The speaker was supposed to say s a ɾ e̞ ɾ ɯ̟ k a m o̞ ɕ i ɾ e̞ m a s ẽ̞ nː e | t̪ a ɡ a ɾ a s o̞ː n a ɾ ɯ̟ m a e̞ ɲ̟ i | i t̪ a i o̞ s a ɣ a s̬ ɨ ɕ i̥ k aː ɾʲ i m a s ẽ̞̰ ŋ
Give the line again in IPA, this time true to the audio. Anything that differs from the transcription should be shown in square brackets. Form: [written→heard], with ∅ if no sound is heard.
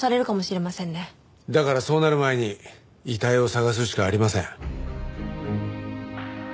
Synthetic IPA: s a ɾ e̞ ɾ ɯ̟ k a m o̞ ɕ i ɾ e̞ m a s ẽ̞ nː e | [t̪→d̪] a [ɡ→k] a ɾ a s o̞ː n a ɾ ɯ̟ m a e̞ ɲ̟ i | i t̪ a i o̞ s a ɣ a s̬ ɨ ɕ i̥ k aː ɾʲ i m a s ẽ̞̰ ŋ